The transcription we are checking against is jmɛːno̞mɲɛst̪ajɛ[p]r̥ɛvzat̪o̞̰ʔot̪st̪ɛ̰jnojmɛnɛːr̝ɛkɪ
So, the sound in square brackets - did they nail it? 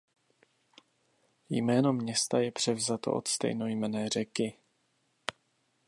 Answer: yes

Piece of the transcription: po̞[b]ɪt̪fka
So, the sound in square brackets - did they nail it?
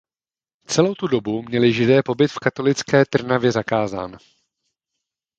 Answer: yes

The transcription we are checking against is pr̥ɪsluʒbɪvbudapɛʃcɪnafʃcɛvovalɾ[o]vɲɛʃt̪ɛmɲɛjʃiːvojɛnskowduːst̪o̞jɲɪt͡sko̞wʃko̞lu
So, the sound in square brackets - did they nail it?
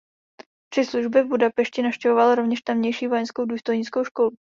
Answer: yes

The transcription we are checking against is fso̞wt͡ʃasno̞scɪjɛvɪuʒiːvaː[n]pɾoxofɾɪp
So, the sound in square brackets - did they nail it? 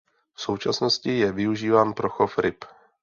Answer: yes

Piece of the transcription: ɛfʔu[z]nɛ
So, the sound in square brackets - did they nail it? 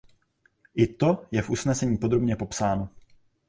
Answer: no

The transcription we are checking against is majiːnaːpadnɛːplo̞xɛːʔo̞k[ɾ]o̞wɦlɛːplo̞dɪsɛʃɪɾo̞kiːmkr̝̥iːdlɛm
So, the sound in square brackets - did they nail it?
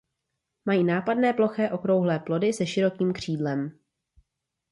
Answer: yes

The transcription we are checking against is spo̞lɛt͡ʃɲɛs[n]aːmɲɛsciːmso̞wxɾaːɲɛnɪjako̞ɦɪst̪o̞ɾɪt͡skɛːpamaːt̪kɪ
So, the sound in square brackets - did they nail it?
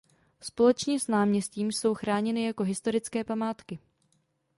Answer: yes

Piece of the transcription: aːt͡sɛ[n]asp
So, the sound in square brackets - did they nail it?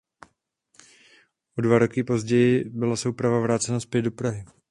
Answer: yes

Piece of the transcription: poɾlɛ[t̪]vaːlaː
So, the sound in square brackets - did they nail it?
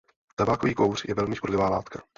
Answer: no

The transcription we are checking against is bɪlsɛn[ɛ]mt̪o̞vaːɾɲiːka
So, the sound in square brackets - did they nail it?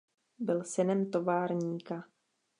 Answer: yes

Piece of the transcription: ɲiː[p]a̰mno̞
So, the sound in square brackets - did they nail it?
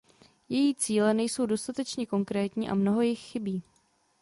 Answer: no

